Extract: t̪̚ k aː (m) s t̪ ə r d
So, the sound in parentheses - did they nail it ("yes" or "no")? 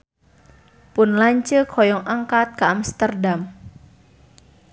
yes